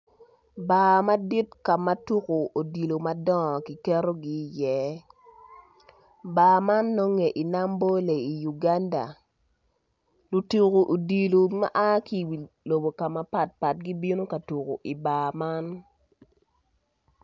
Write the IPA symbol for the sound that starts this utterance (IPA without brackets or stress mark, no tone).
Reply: b